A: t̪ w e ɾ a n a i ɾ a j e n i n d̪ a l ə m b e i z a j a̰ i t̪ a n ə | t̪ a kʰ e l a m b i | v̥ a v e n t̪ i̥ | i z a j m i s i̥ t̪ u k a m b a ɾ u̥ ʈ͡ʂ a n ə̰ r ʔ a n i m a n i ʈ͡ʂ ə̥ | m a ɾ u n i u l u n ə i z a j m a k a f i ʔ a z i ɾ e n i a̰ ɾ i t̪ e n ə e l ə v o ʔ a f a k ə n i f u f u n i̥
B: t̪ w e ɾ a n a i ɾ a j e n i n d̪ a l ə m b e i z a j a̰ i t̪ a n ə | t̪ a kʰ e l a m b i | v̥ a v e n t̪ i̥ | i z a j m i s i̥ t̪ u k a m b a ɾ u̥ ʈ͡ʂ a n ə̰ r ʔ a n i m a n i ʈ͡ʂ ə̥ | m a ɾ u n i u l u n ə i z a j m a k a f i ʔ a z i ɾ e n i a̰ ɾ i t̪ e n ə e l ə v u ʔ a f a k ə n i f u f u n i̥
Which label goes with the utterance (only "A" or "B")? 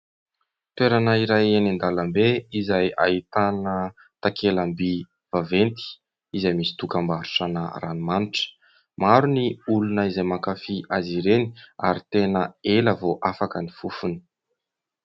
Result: A